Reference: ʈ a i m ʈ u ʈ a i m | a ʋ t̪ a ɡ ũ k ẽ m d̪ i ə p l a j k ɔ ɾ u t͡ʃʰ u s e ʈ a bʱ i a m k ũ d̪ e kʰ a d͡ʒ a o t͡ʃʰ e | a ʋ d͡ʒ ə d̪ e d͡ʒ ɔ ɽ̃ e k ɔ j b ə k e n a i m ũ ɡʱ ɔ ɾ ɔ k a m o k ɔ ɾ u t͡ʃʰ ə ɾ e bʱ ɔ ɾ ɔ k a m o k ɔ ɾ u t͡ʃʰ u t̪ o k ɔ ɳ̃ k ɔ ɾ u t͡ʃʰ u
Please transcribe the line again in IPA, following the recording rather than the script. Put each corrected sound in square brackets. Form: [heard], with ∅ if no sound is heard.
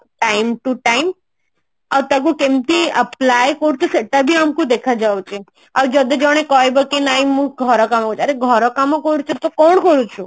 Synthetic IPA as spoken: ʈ a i m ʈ u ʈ a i m | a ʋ t̪ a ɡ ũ k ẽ m [t̪] i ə p l a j k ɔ ɾ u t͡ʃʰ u s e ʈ a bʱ i a m k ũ d̪ e kʰ a d͡ʒ a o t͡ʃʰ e | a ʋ d͡ʒ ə d̪ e d͡ʒ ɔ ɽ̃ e k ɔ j b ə k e n a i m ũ ɡʱ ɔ ɾ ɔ k a m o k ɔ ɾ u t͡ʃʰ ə ɾ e [ɡʱ] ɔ ɾ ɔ k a m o k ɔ ɾ u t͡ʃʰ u t̪ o k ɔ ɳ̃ k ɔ ɾ u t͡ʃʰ u

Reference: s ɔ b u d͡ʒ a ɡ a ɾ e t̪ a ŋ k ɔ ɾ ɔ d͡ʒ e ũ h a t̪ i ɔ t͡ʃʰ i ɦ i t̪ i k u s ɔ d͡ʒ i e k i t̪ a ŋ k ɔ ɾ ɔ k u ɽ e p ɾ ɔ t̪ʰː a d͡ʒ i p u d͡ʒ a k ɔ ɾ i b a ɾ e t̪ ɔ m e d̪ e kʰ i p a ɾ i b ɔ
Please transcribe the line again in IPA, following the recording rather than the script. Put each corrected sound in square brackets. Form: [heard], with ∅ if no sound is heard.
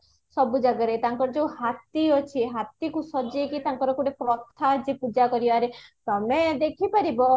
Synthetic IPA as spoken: s ɔ b u d͡ʒ a ɡ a ɾ e t̪ a ŋ k ɔ ɾ ɔ d͡ʒ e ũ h a t̪ i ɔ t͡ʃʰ i ɦ [a] t̪ i k u s ɔ d͡ʒ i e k i t̪ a ŋ k ɔ ɾ ɔ k u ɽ e p ɾ ɔ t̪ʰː a d͡ʒ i p u d͡ʒ a k ɔ ɾ i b a ɾ e t̪ ɔ m e d̪ e kʰ i p a ɾ i b ɔ

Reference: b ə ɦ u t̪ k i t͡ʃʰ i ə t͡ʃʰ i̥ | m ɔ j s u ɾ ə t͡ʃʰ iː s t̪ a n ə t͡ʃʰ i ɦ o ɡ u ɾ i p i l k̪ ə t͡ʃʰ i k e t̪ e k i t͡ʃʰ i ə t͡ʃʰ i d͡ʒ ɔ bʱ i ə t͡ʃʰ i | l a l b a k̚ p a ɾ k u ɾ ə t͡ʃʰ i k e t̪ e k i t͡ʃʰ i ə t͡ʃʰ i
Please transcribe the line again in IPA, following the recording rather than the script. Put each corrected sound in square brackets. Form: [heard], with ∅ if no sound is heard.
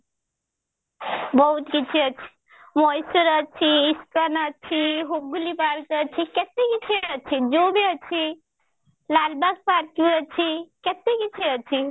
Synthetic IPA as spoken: b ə ɦ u t̪ k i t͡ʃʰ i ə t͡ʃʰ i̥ | m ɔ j s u ɾ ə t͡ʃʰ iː s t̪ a n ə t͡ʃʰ i ɦ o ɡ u [l] i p [a] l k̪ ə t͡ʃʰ i k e t̪ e k i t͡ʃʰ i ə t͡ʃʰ i d͡ʒ [o] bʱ i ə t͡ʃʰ i | l a l b a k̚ p a ɾ k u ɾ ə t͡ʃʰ i k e t̪ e k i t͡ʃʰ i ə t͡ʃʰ i

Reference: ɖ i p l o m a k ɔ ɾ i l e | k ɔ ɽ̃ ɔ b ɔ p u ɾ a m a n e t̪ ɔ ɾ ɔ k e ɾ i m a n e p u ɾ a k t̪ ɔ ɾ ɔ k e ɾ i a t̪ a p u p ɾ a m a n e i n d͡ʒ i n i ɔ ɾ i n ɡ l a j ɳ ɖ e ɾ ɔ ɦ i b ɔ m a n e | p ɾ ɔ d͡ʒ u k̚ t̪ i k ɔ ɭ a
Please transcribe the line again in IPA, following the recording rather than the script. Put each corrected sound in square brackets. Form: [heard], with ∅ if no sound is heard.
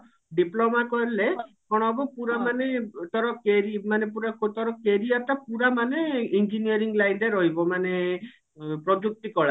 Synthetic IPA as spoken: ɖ i p l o m a k ɔ ɾ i l e | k ɔ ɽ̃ ɔ b ɔ p u ɾ a m a n e t̪ ɔ ɾ ɔ k e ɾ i m a n e p u ɾ a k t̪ ɔ ɾ ɔ k e ɾ i a t̪ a p u [∅] ɾ a m a n e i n d͡ʒ i n i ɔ ɾ i [ŋ] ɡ l a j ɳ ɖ e ɾ ɔ ɦ i b ɔ m a n e | p ɾ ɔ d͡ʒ u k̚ t̪ i k ɔ ɭ a

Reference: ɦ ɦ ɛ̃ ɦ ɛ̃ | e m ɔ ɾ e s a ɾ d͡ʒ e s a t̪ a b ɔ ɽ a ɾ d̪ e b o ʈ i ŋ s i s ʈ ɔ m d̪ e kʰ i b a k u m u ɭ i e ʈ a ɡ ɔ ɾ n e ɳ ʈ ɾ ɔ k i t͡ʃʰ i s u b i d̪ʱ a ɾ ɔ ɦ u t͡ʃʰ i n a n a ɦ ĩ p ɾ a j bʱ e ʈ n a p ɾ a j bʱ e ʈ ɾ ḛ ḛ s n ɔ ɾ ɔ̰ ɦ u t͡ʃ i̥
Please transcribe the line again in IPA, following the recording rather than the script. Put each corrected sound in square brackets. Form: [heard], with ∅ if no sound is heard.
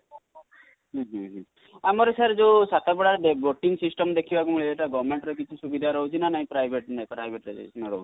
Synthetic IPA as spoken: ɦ ɦ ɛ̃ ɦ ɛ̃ | [a] m ɔ ɾ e s a ɾ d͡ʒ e s a t̪ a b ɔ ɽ a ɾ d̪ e b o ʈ i ŋ s i s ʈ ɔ m d̪ e kʰ i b a k u m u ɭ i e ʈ a ɡ ɔ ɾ [m] e ɳ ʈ ɾ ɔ k i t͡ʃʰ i s u b i d̪ʱ a ɾ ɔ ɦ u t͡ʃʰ i n a n a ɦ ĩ p ɾ a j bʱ e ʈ n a p ɾ a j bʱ e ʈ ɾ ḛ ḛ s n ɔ ɾ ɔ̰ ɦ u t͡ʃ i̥

